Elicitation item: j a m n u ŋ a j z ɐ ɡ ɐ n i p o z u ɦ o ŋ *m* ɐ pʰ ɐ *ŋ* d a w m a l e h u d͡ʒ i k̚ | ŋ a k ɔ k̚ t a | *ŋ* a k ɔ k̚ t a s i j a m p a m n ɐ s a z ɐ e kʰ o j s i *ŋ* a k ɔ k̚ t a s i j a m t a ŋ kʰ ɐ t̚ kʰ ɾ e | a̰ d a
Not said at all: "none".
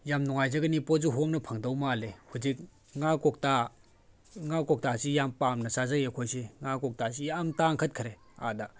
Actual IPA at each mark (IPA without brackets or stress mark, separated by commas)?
n, ŋ, ŋ, ŋ